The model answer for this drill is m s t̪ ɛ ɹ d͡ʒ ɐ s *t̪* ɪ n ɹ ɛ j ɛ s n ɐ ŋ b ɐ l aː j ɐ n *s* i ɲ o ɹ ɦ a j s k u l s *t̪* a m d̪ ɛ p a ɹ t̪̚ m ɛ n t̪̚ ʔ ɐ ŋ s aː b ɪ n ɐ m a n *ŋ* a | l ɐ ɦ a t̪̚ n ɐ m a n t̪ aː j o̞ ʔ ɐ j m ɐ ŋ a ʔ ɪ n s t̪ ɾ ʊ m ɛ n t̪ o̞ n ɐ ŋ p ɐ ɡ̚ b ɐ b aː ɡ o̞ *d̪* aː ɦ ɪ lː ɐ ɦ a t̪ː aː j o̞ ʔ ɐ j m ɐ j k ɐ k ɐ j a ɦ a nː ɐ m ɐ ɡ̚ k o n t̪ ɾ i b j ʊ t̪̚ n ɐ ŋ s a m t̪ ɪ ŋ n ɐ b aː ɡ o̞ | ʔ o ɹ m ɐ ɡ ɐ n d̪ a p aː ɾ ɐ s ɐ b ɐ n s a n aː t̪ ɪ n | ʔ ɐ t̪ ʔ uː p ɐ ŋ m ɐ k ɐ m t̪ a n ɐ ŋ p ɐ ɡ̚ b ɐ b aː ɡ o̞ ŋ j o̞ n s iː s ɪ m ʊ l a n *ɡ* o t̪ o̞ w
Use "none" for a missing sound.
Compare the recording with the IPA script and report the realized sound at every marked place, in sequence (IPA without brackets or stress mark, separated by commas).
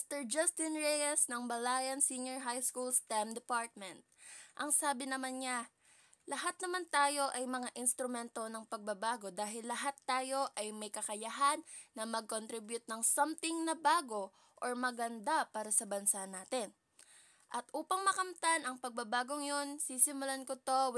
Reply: t̪, s, t̪, ɲ, d̪, k